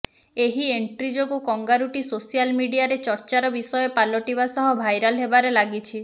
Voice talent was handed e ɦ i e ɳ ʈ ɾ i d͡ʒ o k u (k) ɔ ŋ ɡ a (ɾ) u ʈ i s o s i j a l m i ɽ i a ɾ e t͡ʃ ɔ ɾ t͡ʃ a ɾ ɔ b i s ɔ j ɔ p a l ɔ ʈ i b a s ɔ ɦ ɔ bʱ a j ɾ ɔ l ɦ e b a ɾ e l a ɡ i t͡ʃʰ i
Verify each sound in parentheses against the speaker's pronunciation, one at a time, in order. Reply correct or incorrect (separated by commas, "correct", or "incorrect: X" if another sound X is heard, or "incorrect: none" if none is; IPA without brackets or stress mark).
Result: correct, correct